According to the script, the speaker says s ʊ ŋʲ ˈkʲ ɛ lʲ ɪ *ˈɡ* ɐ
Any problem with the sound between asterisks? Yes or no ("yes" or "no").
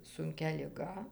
no